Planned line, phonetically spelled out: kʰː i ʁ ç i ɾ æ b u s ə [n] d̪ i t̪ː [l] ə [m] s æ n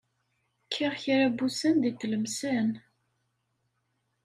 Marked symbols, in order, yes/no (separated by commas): yes, yes, yes